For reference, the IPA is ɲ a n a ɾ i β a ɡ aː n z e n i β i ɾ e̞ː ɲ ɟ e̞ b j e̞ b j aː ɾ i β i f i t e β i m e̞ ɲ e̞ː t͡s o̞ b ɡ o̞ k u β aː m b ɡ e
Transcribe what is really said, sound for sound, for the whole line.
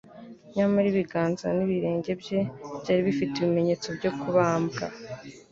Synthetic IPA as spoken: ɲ a m a ɾ i β i ɡ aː n z a n i β i ɾ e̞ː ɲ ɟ e̞ b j e̞ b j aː ɾ i β i f i t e β i m e̞ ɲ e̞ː t͡s o̞ b ɟ o̞ k u β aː m b ɡ a